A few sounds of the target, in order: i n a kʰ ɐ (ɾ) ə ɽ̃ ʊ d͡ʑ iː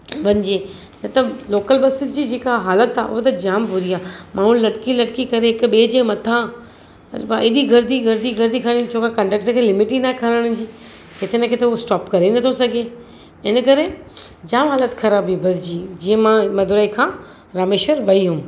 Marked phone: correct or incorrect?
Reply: correct